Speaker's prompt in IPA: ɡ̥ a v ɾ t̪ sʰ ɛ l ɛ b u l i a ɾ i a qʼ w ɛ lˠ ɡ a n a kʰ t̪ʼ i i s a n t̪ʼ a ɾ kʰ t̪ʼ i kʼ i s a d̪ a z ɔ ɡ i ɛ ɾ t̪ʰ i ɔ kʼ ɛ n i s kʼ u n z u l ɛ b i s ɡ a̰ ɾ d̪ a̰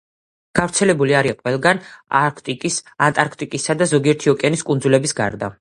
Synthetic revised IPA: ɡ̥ a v ɾ t̪ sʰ ɛ l ɛ b u l i a ɾ i a qʼ w ɛ lˠ ɡ a n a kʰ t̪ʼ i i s a n t̪ʼ a ɾ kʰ t̪ʼ i kʼ i s a d̪ a z ɔ ɡ i ɛ ɾ t̪ʰ i ɔ kʼ ɛ n i s kʼ u n z u l ɛ b i s ɡ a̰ ɾ d̪ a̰